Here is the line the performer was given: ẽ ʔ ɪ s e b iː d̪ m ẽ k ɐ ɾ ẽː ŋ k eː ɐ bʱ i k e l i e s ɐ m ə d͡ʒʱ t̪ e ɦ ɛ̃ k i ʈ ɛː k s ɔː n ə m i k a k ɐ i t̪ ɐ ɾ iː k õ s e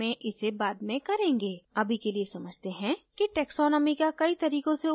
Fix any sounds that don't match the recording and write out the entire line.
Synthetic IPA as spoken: ẽ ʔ ɪ s e b aː d̪ m ẽ k ɐ ɾ ẽː ŋ ɡ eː ɐ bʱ i k e l i e s ɐ m ə d͡ʒʱ t̪ e ɦ ɛ̃ k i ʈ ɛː k s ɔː n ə m i k a k ɐ i t̪ ɐ ɾ iː k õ s e